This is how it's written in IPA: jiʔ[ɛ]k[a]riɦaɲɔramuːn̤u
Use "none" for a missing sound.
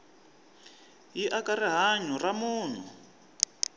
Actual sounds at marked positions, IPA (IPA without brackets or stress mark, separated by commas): a, a